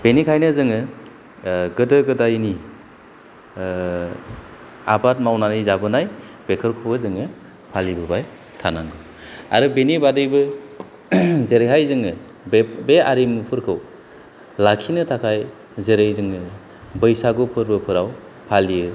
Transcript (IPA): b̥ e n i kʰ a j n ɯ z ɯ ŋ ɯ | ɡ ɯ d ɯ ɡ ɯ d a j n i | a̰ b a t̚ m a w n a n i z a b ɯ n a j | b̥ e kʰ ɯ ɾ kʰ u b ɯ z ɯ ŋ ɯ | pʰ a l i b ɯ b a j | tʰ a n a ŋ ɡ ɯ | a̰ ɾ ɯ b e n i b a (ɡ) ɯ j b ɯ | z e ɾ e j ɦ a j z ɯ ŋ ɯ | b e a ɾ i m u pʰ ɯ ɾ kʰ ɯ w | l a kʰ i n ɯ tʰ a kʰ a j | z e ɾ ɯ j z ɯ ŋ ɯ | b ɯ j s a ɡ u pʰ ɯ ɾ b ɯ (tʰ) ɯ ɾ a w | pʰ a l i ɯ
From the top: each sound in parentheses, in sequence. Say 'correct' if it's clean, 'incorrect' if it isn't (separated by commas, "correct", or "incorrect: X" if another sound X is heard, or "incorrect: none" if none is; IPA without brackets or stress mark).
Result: incorrect: d, incorrect: pʰ